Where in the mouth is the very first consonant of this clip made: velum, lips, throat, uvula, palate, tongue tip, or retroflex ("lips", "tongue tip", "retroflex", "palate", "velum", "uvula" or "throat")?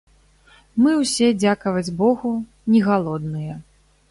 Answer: lips